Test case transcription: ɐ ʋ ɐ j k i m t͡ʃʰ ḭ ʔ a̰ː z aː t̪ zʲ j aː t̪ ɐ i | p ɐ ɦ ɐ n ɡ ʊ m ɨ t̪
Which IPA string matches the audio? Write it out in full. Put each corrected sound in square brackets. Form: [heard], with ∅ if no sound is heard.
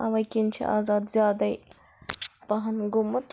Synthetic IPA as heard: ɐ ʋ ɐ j k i [n] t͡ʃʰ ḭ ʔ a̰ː z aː [d̪] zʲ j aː [d̪] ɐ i | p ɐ ɦ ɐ n ɡ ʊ m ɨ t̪